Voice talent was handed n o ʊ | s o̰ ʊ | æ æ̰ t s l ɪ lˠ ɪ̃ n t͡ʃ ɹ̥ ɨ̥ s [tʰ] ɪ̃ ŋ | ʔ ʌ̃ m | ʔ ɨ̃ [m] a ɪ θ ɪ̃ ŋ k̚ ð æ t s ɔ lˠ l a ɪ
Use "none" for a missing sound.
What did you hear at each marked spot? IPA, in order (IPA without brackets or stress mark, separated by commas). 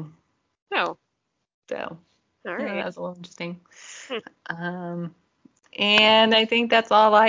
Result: t, n